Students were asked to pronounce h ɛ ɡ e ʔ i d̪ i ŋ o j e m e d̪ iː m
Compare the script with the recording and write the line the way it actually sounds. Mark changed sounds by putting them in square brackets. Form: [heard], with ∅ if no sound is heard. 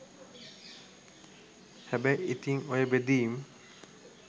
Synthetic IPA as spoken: h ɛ [b] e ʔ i [t̪] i ŋ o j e [b] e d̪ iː m

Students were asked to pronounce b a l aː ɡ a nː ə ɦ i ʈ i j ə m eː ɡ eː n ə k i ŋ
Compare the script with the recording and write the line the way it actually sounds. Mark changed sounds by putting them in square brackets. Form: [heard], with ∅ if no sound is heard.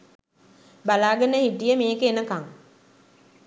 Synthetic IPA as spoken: b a l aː ɡ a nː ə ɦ i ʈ i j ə m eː [k] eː n ə k [a] ŋ

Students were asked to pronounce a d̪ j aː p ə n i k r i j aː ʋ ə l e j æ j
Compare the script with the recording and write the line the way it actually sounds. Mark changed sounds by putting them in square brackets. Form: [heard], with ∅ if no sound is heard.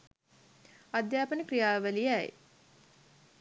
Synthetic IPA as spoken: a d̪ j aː p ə n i k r i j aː ʋ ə l [i] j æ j

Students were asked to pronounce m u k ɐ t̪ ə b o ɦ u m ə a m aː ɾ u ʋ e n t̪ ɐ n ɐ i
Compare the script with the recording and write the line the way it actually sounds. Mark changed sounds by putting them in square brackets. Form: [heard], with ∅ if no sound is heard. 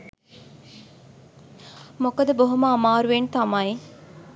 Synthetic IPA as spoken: m [o] k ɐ [d̪] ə b o ɦ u m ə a m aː ɾ u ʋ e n t̪ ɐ [m] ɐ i

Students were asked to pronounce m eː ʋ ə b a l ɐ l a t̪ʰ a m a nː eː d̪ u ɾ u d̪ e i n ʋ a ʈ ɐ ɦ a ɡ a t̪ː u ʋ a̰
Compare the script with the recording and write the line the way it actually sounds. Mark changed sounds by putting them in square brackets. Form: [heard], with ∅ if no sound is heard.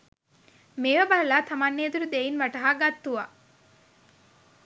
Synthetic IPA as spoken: m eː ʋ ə b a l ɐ l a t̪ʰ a m a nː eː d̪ u ɾ u d̪ e i n ʋ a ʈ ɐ ɦ a ɡ a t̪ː u ʋ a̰

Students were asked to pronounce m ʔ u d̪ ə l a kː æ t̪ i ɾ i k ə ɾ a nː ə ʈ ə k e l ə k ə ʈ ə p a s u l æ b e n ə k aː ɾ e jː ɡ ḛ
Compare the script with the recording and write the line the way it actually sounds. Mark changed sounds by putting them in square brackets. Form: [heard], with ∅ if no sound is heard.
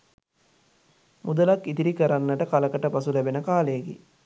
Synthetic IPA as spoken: m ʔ u d̪ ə l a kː [i] t̪ i ɾ i k ə ɾ a nː ə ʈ ə k [a] l ə k ə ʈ ə p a s u l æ b e n ə k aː [l] e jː ɡ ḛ

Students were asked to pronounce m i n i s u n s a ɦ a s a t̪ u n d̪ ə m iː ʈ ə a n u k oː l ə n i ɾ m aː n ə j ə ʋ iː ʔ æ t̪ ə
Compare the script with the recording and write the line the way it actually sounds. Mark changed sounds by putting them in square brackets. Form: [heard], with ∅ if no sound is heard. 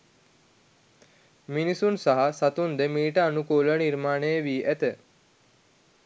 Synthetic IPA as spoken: m i n i s u n s a ɦ a s a t̪ u n d̪ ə m iː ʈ ə a n u k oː l ə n i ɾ m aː n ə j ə ʋ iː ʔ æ t̪ ə

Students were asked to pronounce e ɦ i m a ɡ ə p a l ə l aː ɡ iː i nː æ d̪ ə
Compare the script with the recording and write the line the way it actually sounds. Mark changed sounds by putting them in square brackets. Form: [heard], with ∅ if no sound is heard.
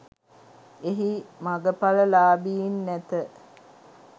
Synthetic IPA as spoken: e ɦ i m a ɡ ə p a l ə l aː [b] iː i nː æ [t̪] ə

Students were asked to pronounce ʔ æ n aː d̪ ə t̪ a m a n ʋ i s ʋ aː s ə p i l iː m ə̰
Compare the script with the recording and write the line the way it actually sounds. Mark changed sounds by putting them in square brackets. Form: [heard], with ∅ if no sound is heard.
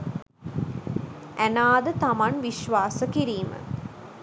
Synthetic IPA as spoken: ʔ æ n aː d̪ ə t̪ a m a n ʋ i [ʃ] ʋ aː s ə [k] i [ɾ] iː m ə̰

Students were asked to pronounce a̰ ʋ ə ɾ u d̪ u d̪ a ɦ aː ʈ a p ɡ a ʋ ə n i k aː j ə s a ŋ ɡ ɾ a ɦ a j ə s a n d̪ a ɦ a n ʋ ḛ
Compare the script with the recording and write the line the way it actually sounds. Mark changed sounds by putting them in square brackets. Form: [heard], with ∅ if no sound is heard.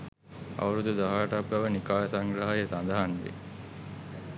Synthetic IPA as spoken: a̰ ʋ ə ɾ u d̪ u d̪ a ɦ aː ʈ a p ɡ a ʋ ə n i k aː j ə s a ŋ ɡ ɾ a ɦ a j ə s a n d̪ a ɦ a n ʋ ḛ

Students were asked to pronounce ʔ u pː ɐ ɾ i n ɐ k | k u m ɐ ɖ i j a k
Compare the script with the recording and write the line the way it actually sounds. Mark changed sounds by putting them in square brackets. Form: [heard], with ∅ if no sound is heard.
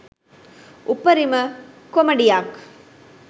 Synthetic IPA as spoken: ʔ u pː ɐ ɾ i [m] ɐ [∅] | k [o] m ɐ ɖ i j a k

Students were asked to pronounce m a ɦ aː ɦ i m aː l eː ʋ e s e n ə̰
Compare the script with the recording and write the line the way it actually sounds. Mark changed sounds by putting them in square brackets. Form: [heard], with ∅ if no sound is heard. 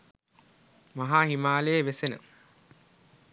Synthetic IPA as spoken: m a ɦ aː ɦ i m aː l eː ʋ e s e n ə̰

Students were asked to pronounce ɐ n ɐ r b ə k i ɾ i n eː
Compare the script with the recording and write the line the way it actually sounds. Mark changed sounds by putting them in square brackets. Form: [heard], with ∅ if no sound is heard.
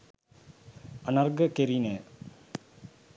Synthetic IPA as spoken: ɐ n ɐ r [ɡ] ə k [e] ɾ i n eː

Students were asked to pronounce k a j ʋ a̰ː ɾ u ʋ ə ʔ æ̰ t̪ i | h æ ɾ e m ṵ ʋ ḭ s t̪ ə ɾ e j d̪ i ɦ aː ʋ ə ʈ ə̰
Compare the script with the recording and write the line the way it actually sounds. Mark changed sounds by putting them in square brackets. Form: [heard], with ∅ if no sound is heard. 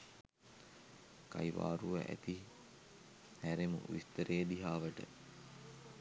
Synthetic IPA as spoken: k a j ʋ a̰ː ɾ u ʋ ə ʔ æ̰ t̪ i | h æ ɾ e m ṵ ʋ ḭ s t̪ ə ɾ e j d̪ i ɦ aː ʋ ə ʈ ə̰

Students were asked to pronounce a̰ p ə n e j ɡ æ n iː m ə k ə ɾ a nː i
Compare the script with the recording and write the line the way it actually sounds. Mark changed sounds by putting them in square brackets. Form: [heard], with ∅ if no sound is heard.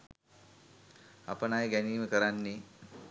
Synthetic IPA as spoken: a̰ p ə n [a] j ɡ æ n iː m ə k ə ɾ a nː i

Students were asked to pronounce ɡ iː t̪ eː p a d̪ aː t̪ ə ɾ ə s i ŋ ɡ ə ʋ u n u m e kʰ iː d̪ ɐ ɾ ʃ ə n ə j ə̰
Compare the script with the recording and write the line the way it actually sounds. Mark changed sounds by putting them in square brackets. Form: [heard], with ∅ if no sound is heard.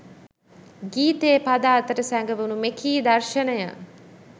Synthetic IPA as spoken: ɡ iː t̪ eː p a d̪ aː t̪ ə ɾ ə s [æ] ŋ ɡ ə ʋ u n u m e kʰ iː d̪ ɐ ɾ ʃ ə n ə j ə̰

